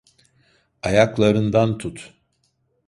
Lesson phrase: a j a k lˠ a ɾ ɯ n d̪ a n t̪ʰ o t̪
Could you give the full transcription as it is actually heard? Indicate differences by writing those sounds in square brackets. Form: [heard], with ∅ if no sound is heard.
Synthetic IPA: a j a k lˠ a ɾ ɯ n d̪ a n t̪ʰ [u] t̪